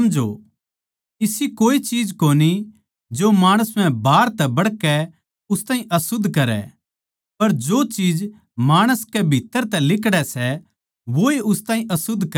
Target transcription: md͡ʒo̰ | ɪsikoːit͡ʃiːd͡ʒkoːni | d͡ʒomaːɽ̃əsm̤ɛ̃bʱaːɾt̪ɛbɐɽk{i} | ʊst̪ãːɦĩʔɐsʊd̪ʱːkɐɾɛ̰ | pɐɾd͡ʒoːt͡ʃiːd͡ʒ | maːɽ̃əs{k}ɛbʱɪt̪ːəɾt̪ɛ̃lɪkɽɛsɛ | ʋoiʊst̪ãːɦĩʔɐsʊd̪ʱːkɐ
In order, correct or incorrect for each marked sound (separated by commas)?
incorrect, correct